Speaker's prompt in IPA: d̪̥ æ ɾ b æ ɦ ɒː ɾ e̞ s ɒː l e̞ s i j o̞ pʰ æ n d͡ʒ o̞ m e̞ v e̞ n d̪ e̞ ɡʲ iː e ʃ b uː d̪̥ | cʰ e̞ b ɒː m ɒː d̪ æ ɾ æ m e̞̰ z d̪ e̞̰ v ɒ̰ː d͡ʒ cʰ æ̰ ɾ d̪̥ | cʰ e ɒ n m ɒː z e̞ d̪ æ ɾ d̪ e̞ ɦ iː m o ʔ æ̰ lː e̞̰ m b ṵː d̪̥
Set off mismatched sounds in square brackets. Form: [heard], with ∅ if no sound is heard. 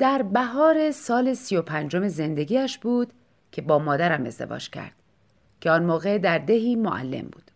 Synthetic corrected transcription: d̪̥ æ ɾ b æ ɦ ɒː ɾ e̞ s ɒː l e̞ s i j o̞ pʰ æ n d͡ʒ o̞ m e̞ [z] e̞ n d̪ e̞ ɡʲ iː [æ] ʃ b uː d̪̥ | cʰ e̞ b ɒː m ɒː d̪ æ ɾ æ m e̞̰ z d̪ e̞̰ v ɒ̰ː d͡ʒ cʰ æ̰ ɾ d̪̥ | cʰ e ɒ n m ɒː [ɣ] e̞ d̪ æ ɾ d̪ e̞ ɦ iː m o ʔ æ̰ lː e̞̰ m b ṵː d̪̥